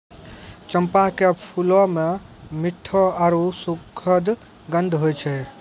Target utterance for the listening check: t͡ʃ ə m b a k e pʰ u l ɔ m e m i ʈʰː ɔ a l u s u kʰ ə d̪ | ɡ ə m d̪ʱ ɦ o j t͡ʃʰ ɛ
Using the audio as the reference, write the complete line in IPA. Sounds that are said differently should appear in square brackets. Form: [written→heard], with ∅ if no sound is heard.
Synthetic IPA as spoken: t͡ʃ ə m [b→p] a k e pʰ u l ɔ m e m i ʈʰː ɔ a [l→ɾ] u s u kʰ ə d̪ | ɡ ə [m→n] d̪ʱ ɦ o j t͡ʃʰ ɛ